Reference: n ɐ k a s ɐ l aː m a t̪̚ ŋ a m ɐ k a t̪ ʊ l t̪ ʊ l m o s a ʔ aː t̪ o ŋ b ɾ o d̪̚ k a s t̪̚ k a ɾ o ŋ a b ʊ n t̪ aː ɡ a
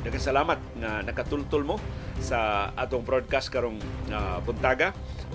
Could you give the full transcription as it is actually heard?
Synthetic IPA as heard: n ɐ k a s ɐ l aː m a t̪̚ ŋ a n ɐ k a t̪ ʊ l t̪ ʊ l m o s a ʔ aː t̪ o ŋ b ɾ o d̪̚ k a s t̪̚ k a ɾ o ŋ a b ʊ n t̪ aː ɡ a